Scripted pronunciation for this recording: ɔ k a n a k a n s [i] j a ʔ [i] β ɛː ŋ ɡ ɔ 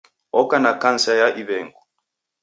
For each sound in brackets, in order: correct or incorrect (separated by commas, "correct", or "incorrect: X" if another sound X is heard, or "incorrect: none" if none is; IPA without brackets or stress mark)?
incorrect: a, correct